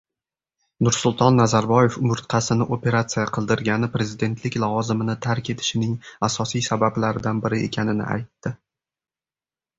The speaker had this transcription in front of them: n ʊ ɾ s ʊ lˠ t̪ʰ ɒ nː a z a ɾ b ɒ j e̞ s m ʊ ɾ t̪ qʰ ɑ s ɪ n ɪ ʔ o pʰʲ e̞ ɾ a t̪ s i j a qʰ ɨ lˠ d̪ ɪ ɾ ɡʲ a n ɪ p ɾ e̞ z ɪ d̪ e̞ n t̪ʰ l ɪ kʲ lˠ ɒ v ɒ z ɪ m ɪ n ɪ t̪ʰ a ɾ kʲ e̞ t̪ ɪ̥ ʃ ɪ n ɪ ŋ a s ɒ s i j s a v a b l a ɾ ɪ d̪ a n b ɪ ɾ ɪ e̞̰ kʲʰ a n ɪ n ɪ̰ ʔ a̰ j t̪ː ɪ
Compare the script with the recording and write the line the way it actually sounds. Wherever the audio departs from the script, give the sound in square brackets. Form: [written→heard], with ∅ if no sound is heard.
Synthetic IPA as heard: n ʊ ɾ s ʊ lˠ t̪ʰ ɒ nː a z a ɾ b ɒ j e̞ [s→f] m ʊ ɾ t̪ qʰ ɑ s ɪ n ɪ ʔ o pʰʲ e̞ ɾ a t̪ s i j a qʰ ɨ lˠ d̪ ɪ ɾ ɡʲ a n ɪ p ɾ e̞ z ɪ d̪ e̞ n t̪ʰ l ɪ kʲ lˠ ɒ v ɒ z ɪ m ɪ n ɪ t̪ʰ a ɾ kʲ e̞ [t̪→t̪ʰ] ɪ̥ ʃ ɪ n ɪ ŋ a s ɒ s i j s a [v→b] a b l a ɾ ɪ d̪ a n b ɪ ɾ ɪ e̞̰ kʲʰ a n ɪ n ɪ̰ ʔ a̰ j t̪ː ɪ